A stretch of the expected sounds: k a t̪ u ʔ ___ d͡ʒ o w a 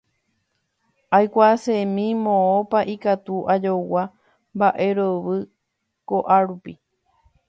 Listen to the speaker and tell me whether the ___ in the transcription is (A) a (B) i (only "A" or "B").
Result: A